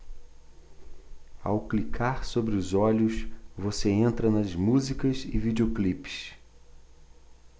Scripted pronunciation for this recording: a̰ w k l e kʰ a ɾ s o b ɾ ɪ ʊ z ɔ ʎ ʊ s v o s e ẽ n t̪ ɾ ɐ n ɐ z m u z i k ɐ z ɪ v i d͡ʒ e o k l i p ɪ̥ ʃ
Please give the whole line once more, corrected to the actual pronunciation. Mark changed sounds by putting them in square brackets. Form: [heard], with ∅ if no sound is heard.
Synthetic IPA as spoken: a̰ w k l [i] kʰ a ɾ s o b ɾ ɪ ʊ z ɔ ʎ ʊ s v o s e ẽ n t̪ ɾ ɐ n ɐ z m u z i k ɐ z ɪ v i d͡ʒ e o k l i p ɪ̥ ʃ